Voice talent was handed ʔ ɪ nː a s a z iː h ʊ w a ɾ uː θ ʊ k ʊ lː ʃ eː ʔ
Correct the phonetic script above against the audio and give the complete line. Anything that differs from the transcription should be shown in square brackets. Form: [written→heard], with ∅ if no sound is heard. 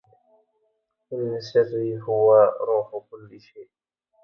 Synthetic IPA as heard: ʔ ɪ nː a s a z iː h ʊ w a ɾ uː [θ→ħ] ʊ k ʊ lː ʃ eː ʔ